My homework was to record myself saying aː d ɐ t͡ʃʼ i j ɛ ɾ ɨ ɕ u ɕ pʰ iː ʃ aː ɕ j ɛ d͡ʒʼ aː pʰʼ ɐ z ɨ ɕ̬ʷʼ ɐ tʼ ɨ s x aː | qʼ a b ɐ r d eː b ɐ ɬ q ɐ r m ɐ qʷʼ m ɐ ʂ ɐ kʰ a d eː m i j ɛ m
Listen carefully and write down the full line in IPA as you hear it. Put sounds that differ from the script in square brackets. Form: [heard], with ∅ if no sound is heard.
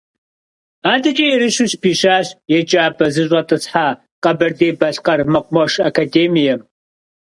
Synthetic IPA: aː d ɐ t͡ʃʼ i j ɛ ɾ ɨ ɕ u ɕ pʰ iː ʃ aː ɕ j ɛ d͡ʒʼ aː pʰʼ ɐ z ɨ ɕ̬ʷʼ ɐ tʼ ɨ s [ħ] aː | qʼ [ɐ] b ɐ r d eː b ɐ ɬ q ɐ r m ɐ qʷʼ m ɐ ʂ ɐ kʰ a d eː m i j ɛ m